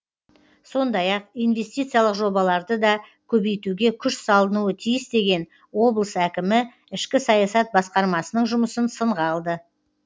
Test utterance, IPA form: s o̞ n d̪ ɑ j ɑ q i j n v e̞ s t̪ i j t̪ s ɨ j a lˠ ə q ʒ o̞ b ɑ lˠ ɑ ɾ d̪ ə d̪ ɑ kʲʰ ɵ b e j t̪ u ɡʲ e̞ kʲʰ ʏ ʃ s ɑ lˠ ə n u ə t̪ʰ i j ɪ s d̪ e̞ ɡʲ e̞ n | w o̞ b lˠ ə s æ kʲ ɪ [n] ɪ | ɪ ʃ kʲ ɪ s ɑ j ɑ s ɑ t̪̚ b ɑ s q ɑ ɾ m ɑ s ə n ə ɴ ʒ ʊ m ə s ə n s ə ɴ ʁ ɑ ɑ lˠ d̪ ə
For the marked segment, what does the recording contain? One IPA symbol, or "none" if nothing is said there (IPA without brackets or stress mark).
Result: m